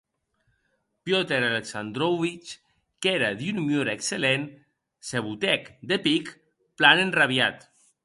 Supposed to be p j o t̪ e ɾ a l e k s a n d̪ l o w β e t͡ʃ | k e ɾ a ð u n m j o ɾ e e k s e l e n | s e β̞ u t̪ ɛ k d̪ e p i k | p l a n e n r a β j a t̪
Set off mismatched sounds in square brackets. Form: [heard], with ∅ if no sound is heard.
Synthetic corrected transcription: p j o t̪ e ɾ a l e k s a n d̪ [ɾ] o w β [i] t͡ʃ | k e ɾ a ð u n m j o ɾ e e k s e l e n | s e β̞ u t̪ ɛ k d̪ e p i k | p l a n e n r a β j a t̪